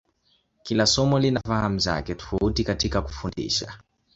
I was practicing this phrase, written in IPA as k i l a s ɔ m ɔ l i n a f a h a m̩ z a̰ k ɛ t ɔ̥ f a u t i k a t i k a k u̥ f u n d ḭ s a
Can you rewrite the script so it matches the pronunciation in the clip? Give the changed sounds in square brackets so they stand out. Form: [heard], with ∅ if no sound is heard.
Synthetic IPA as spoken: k i l a s ɔ m ɔ l i n a f a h a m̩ z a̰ k ɛ t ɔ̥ f a u t i k a t i k a k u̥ f u n d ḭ [ʃ] a